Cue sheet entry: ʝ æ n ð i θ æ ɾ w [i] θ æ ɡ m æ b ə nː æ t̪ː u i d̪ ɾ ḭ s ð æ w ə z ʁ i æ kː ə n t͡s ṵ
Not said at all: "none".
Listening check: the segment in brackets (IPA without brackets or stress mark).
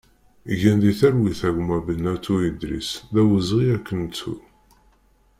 i